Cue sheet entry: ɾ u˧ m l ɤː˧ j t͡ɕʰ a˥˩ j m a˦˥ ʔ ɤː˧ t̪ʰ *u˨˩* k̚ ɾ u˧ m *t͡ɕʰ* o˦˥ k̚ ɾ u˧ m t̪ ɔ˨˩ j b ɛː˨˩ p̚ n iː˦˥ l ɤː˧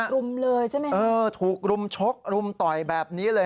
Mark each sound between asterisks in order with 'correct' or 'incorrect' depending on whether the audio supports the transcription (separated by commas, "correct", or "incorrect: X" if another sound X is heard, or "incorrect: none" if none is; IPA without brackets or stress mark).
incorrect: uː˨˩, correct